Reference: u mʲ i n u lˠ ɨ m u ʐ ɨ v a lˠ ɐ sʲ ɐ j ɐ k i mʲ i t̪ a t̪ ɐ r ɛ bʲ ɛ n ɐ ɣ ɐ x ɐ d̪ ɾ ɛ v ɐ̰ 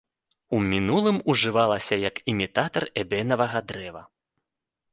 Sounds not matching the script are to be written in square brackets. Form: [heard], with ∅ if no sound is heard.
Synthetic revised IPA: u mʲ i n u lˠ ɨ m u ʐ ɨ v a lˠ ɐ sʲ ɐ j ɐ k i mʲ i t̪ a t̪ ɐ r ɛ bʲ ɛ n ɐ [v] ɐ [ɣ] ɐ d̪ ɾ ɛ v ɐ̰